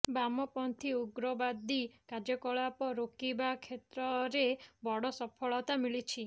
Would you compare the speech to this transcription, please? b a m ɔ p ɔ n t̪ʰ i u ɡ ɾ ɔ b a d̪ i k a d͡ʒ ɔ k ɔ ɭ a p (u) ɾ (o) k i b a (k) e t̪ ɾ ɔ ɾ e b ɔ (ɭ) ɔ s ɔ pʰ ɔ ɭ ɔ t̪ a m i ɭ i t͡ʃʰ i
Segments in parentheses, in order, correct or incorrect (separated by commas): incorrect, correct, incorrect, incorrect